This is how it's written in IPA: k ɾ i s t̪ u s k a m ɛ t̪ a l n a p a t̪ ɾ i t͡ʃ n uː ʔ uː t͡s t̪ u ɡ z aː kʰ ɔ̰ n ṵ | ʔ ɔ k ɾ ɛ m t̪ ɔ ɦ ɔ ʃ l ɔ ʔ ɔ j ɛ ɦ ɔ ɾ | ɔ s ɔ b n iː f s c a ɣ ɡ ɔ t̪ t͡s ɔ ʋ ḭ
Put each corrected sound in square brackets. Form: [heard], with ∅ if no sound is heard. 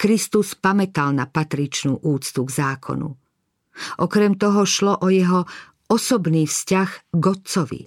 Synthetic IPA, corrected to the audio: k ɾ i s t̪ u s [p] a m ɛ t̪ a l n a p a t̪ ɾ i t͡ʃ n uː ʔ uː t͡s t̪ u ɡ z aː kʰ ɔ̰ n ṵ | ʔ ɔ k ɾ ɛ m t̪ ɔ ɦ ɔ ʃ l ɔ ʔ ɔ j ɛ ɦ ɔ [∅] | ɔ s ɔ b n iː f s c a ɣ ɡ ɔ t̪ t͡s ɔ ʋ ḭ